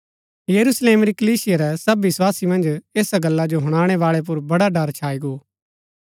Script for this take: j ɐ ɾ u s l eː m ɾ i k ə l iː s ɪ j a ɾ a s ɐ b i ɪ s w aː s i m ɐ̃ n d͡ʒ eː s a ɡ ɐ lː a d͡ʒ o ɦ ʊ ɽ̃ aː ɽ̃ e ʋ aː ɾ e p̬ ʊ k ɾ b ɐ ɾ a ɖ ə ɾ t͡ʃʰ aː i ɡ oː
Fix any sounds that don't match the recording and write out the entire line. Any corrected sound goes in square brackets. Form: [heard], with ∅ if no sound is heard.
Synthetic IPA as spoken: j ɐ ɾ u s l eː m ɾ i k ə l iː s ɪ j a ɾ [ɛ] s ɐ b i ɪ s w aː s i m ɐ̃ n d͡ʒ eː s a ɡ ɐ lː a d͡ʒ o ɦ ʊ ɽ̃ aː ɽ̃ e ʋ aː [ɭ] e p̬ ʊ [∅] ɾ b ɐ [ɽ] a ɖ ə ɾ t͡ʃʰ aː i ɡ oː